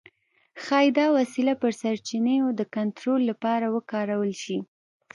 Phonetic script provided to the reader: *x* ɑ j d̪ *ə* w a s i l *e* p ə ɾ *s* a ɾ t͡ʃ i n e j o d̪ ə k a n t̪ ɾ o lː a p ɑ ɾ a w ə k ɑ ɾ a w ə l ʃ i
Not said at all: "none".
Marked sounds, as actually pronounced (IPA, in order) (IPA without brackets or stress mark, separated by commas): x, ɑ, a, s